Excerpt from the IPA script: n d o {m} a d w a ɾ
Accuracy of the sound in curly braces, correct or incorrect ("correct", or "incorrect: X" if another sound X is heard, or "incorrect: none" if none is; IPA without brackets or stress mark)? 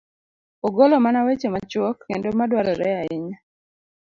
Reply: correct